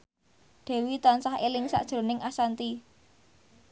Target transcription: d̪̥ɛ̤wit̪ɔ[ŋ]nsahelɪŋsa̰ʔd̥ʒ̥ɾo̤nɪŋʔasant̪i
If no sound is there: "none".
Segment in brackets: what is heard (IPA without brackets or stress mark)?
none